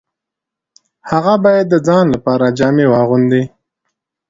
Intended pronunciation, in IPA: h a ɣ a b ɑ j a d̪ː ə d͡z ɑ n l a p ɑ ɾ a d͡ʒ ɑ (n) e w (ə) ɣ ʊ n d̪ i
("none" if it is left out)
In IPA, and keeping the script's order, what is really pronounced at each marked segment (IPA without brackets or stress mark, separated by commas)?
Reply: m, ɑ